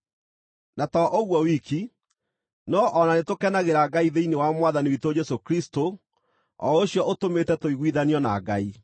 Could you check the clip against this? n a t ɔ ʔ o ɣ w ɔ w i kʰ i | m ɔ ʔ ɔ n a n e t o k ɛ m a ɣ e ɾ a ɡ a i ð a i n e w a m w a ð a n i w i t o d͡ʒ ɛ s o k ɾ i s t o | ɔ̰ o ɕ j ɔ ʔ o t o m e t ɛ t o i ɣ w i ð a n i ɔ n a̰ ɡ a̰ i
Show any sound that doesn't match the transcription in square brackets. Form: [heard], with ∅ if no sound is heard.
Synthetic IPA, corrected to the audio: n a t ɔ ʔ o ɣ w ɔ w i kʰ i | [n] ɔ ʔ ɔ n a n e t o k ɛ [n] a ɣ e ɾ a ɡ a i ð [e] i n e w a m w a ð a n i w i t o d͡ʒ ɛ s o k ɾ i s t o | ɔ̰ o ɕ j ɔ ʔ o t o m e t ɛ t o i ɣ w i ð a n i ɔ n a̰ ɡ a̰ i